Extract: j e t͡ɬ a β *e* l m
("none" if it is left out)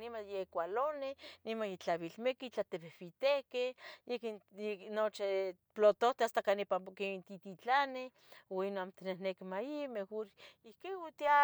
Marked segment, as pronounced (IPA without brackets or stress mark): i